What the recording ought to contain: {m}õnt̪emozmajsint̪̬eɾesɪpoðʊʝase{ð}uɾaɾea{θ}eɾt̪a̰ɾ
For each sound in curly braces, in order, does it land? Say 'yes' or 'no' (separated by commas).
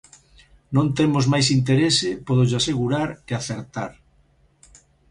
no, no, yes